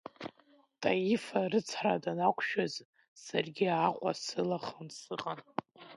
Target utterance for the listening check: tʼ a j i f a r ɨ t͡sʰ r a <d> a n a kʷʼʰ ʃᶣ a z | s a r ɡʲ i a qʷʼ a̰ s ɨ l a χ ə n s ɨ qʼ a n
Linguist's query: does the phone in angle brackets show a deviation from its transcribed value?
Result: no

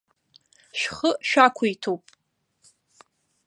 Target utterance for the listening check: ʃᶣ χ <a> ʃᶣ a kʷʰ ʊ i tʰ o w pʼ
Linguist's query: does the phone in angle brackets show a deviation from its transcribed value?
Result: yes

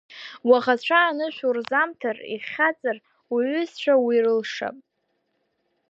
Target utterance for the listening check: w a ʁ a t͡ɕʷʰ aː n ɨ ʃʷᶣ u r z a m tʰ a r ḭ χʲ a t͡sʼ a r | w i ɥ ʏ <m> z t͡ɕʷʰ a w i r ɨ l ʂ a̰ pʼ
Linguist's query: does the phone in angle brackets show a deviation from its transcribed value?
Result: yes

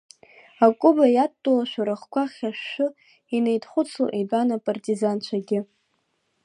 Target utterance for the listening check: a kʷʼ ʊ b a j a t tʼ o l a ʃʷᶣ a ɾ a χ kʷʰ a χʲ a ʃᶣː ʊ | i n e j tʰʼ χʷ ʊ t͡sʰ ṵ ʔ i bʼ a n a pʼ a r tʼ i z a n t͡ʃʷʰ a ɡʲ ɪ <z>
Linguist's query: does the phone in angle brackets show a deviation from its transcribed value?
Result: yes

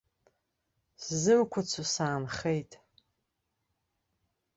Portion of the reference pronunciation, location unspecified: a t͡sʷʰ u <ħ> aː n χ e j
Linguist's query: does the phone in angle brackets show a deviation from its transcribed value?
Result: yes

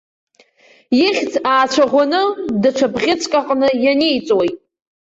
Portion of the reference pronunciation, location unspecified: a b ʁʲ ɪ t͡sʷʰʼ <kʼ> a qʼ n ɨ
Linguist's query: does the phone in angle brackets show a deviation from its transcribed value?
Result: no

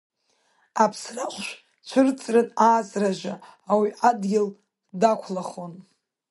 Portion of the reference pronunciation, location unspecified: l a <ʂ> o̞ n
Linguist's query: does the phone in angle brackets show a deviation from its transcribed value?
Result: yes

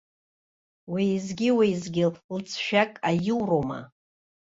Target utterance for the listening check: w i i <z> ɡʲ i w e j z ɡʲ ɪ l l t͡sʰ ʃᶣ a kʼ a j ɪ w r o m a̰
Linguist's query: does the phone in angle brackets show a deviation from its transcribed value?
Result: no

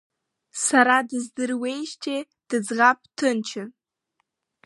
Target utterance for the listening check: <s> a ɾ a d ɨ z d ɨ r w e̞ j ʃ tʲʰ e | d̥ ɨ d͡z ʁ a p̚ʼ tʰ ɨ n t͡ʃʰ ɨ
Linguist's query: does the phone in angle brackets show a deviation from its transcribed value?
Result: no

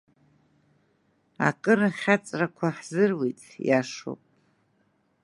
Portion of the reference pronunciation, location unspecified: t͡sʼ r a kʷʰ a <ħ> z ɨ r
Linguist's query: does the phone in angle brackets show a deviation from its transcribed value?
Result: no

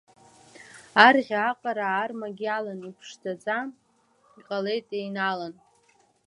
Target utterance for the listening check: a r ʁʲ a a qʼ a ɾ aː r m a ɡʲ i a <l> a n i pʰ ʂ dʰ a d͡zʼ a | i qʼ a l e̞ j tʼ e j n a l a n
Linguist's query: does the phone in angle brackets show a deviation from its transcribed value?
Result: no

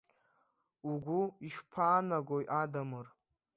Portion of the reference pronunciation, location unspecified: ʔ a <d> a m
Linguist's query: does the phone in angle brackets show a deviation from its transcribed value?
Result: no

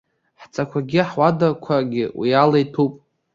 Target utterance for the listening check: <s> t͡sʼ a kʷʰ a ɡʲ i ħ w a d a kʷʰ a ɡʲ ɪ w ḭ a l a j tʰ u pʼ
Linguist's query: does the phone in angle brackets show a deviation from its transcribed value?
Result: yes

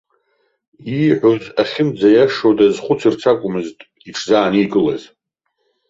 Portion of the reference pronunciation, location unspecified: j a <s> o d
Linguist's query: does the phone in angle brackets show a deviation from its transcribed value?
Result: yes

